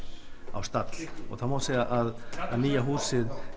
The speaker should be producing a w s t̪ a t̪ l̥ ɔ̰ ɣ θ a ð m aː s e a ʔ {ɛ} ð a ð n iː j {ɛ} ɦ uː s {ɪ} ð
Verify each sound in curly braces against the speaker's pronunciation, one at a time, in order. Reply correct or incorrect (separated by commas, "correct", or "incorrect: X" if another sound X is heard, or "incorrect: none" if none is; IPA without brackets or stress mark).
incorrect: a, incorrect: a, correct